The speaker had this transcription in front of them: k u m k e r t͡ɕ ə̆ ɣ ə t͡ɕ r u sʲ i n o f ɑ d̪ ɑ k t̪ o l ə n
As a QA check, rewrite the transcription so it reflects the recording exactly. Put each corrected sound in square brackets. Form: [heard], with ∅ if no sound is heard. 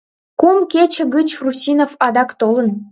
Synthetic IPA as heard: k u m k e [∅] t͡ɕ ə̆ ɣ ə t͡ɕ r u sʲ i n o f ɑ d̪ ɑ k t̪ o l ə n